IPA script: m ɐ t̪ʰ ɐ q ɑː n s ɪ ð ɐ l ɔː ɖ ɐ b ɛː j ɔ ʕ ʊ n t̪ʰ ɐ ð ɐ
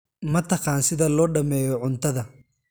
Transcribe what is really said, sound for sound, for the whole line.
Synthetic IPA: m ɐ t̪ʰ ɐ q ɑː n s ɪ ð ɐ l ɔː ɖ ɐ m ɛː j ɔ ʕ ʊ n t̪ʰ ɐ ð ɐ